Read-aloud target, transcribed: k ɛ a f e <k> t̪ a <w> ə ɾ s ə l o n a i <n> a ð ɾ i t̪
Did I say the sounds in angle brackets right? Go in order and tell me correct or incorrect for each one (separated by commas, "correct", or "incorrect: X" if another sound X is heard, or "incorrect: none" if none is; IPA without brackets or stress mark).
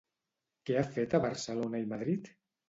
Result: incorrect: none, incorrect: β, incorrect: m